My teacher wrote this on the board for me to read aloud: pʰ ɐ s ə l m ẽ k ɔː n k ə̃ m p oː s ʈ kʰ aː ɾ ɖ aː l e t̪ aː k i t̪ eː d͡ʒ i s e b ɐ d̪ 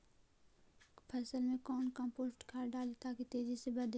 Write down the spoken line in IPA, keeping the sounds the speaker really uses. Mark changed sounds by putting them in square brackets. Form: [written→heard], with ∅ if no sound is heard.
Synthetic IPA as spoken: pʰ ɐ s ə l m ẽ k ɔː n k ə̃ m p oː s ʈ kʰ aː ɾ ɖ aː l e t̪ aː k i t̪ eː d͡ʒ i s e b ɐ d̪